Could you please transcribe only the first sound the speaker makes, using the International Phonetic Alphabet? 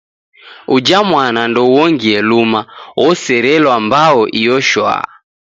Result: u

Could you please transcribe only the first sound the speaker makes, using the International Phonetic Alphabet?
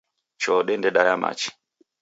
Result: t͡ʃ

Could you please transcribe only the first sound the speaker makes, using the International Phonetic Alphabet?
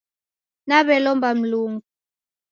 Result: n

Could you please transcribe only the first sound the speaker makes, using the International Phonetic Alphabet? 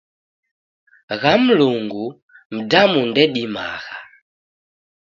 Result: ɣ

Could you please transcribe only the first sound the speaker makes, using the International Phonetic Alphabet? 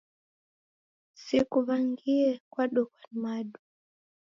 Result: s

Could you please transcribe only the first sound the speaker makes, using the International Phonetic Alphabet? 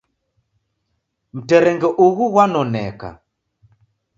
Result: m̩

